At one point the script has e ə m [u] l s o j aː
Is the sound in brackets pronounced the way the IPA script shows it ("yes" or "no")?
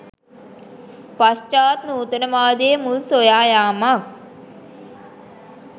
yes